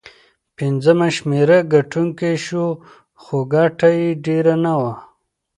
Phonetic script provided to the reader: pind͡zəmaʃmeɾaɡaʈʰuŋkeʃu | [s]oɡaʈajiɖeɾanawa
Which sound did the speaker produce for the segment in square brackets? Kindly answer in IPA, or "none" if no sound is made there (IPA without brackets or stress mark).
x